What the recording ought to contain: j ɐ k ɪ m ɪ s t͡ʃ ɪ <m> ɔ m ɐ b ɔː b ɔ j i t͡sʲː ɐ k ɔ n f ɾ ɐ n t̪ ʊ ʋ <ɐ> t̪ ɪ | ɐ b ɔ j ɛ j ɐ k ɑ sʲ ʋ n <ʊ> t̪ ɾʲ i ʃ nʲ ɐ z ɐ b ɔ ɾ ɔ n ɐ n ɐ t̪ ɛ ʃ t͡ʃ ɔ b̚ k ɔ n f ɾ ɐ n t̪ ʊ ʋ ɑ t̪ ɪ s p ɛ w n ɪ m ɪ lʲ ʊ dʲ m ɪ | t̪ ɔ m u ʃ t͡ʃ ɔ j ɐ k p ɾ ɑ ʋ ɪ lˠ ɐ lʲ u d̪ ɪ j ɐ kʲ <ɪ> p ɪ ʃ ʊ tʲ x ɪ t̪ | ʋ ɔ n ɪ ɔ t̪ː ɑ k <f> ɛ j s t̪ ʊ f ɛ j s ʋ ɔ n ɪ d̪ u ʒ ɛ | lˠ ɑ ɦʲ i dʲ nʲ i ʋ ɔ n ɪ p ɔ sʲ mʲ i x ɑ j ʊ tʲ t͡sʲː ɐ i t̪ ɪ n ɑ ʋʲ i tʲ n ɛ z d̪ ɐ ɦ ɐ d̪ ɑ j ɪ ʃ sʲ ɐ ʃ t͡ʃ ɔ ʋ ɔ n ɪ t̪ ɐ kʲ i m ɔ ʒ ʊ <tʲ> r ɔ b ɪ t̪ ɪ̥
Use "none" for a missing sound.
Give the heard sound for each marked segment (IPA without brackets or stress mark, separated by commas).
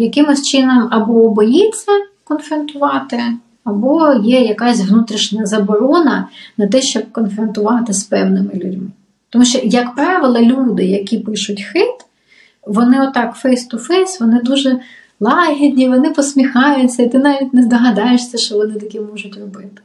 n, ɑ, u, i, f, tʲ